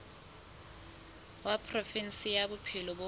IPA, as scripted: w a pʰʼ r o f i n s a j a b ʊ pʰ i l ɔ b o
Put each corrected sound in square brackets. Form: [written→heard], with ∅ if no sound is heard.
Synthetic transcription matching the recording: w a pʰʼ r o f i n s [a→i] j a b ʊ pʰ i l ɔ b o